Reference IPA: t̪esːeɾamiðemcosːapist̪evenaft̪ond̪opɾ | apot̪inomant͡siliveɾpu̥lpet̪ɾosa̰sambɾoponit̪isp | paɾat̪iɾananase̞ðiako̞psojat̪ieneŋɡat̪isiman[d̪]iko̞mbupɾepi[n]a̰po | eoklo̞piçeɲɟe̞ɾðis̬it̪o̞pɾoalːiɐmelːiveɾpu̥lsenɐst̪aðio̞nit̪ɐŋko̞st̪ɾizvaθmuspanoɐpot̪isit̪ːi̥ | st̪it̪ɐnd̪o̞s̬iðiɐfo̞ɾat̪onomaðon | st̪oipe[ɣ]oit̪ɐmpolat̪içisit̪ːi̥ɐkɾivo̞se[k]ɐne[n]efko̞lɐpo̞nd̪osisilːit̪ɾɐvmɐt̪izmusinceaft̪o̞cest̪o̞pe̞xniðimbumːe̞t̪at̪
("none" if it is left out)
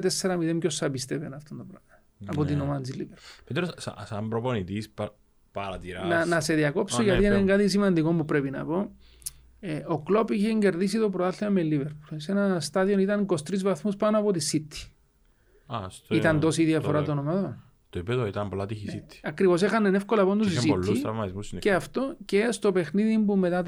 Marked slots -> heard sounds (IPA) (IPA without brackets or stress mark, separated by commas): d̪, n, ð, x, n